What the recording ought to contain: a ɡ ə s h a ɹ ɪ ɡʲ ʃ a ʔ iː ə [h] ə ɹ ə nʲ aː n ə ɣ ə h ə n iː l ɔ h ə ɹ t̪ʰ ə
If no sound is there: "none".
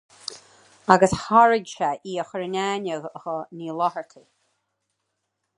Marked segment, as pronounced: x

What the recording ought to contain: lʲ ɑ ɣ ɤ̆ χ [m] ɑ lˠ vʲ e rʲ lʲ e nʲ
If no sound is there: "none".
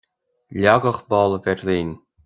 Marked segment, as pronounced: b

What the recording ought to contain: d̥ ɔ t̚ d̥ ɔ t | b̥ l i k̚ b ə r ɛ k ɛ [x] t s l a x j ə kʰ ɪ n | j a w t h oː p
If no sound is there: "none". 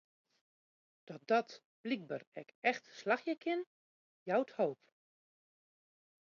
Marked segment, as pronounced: x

